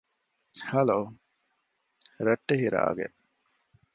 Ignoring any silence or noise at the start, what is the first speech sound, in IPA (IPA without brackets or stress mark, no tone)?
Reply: h